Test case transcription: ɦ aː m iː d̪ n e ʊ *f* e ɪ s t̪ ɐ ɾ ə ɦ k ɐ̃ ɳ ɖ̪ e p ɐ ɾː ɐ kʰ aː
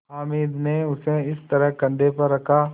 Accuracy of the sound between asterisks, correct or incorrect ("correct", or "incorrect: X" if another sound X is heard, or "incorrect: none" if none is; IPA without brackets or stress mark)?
incorrect: s